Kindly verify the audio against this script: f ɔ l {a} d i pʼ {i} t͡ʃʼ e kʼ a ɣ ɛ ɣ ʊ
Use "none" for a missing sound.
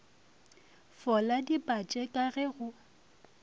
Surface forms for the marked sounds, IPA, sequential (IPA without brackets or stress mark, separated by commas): a, a